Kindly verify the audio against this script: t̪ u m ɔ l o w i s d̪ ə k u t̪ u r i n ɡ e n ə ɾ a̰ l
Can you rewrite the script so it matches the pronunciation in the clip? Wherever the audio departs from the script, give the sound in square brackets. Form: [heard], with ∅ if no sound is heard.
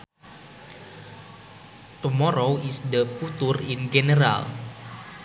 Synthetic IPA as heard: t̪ u m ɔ [ɾ] o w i s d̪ ə [p] u t̪ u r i n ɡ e n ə ɾ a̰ l